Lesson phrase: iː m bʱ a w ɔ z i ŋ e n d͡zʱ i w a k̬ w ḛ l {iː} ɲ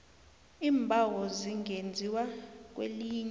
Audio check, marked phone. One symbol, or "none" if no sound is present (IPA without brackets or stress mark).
iː